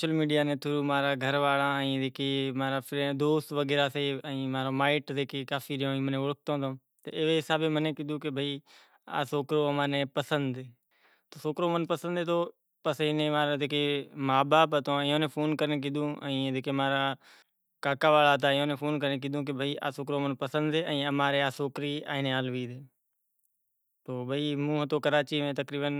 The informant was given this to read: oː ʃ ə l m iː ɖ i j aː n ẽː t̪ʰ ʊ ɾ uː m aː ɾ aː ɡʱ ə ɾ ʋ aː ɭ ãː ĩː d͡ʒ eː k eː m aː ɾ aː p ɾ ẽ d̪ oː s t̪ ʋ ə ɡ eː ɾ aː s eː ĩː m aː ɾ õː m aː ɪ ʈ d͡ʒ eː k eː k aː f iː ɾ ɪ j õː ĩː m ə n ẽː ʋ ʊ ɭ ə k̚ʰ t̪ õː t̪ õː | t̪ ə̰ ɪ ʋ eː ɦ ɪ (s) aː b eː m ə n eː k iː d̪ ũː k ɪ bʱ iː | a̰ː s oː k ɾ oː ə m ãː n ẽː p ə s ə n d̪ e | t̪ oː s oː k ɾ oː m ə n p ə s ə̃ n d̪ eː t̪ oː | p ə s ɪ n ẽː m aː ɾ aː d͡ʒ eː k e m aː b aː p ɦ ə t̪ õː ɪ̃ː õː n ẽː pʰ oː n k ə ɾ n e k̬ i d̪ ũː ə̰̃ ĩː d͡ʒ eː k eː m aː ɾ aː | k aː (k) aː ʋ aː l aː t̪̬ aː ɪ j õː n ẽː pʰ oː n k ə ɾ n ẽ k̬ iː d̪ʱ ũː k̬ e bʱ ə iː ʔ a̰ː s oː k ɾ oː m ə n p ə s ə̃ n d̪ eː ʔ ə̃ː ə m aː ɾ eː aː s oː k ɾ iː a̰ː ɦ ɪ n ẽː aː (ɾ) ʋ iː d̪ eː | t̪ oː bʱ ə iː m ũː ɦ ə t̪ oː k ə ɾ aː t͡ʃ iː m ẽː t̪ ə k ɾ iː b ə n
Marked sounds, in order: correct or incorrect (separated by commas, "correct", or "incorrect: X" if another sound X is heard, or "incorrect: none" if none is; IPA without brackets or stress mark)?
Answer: correct, correct, incorrect: l